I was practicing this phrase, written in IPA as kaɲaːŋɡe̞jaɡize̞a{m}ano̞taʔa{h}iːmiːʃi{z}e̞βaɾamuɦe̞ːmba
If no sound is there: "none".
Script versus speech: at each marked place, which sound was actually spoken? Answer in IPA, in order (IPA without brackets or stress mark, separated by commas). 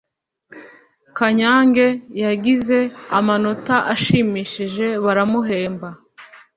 m, ʃ, ʒ